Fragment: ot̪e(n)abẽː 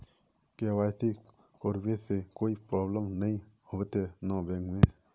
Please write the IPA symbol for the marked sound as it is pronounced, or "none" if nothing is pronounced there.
n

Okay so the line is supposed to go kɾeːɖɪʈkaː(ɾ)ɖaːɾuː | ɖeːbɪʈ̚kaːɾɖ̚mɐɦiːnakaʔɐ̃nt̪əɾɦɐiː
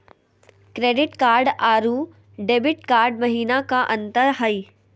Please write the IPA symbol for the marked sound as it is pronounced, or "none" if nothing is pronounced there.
ɾ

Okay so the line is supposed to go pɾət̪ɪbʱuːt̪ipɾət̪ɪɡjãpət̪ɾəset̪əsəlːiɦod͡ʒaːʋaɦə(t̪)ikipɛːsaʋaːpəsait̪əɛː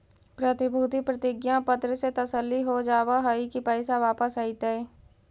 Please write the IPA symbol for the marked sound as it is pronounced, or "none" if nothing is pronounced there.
none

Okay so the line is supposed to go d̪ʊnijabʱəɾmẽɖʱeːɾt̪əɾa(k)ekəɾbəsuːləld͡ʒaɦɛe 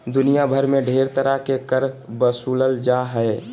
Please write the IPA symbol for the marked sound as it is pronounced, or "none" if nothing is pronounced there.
k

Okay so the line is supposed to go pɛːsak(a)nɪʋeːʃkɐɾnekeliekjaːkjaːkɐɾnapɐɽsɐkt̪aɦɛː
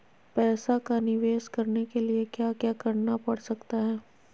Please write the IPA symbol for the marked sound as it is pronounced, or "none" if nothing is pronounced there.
a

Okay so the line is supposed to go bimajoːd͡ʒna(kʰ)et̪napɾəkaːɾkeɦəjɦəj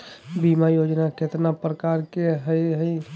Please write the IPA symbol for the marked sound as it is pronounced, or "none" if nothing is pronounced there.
k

